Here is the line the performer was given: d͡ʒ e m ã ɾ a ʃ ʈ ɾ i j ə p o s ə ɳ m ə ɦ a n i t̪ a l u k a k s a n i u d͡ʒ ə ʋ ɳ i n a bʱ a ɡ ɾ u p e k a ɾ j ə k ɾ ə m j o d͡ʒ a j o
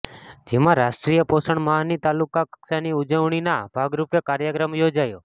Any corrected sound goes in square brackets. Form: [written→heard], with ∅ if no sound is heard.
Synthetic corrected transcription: d͡ʒ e m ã ɾ a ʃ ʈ ɾ i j ə p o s ə ɳ m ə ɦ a n i t̪ a l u k a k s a n i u d͡ʒ ə ʋ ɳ i n a bʱ a ɡ ɾ u p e k a ɾ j ə k ɾ ə m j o d͡ʒ a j o